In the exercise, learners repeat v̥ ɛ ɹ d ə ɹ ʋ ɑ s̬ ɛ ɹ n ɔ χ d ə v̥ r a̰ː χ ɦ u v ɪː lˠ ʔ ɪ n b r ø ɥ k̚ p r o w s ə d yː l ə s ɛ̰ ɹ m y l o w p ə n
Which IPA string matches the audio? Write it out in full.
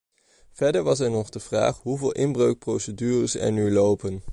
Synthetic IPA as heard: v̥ ɛ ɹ d ə ɹ ʋ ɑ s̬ ɛ ɹ n ɔ χ d ə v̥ r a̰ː χ ɦ u v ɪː lˠ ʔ ɪ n b r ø ɥ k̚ p r o w s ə d yː r ə s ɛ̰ ɹ n y l o w p ə n